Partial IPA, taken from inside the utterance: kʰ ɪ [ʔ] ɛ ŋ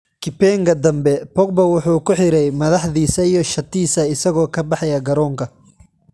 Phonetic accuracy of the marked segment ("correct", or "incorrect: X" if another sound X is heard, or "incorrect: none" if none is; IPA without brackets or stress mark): incorrect: p